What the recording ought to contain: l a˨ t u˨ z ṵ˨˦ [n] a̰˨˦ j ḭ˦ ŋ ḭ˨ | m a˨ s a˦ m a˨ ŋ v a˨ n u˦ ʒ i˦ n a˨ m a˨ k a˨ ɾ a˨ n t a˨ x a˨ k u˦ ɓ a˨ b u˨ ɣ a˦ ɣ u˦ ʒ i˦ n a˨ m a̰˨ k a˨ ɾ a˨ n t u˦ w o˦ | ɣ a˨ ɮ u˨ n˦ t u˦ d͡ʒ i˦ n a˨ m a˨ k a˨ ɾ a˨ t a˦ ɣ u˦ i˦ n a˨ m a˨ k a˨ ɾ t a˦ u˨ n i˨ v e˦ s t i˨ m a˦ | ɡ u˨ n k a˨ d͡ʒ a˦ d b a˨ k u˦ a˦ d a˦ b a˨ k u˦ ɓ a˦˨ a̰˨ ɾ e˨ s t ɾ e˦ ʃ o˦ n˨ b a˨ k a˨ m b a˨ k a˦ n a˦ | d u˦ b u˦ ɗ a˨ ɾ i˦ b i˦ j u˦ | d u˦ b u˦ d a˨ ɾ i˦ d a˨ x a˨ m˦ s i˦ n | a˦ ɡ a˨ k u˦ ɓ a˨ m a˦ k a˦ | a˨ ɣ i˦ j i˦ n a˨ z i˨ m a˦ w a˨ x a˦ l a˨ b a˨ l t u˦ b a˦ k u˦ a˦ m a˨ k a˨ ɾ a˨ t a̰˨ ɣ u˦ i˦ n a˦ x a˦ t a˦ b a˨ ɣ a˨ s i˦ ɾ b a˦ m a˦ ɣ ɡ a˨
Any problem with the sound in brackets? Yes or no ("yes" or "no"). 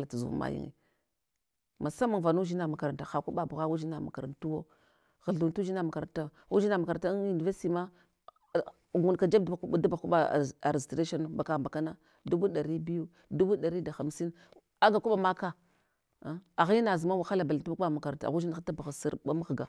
yes